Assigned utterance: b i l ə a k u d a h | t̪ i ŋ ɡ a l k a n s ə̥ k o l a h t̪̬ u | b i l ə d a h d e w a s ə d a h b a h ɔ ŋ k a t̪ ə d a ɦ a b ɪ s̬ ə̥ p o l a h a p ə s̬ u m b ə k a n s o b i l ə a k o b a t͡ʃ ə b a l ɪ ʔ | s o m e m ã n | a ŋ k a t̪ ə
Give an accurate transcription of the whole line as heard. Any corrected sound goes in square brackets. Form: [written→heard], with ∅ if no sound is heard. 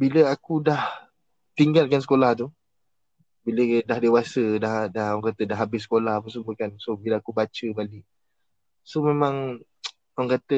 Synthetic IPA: b i l ə a k u d a h | t̪ i ŋ ɡ a l k a n s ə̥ k o l a h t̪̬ u | b i l ə d a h d e w a s ə d a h [b→d] a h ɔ ŋ k a t̪ ə d a ɦ a b ɪ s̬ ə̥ [p→k] o l a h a p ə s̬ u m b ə k a n s o b i l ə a k [o→u] b a t͡ʃ ə b a l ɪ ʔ | s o m e m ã [n→ŋ] | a ŋ k a t̪ ə